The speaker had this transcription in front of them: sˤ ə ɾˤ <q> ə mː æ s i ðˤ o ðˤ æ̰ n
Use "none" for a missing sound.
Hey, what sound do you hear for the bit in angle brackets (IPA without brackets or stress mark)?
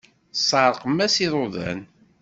q